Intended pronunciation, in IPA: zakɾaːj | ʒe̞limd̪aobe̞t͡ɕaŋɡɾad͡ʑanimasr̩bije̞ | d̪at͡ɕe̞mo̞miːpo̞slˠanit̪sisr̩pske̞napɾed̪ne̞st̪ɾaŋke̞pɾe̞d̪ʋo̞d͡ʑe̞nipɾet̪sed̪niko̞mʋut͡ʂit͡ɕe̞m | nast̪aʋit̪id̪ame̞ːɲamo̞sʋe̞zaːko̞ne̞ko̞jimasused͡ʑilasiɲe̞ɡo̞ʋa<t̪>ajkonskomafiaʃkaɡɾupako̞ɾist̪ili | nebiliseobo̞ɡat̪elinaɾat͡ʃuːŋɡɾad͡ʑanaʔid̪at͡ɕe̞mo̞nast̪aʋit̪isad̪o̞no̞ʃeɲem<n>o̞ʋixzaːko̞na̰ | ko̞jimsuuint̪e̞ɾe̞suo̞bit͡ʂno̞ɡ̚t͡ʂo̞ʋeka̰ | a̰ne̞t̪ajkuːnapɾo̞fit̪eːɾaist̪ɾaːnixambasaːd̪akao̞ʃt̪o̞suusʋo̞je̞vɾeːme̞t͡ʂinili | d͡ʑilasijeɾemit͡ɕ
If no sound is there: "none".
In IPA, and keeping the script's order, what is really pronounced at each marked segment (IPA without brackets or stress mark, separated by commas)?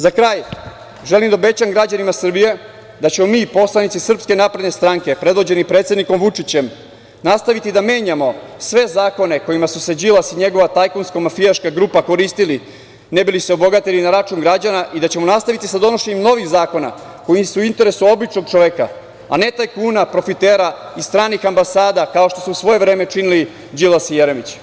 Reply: t̪, n